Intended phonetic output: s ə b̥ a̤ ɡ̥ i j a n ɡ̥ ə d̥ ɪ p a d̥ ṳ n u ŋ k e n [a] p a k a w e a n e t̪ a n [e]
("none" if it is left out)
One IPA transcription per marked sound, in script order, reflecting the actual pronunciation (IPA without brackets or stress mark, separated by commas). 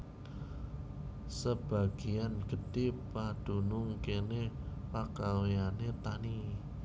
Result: e, i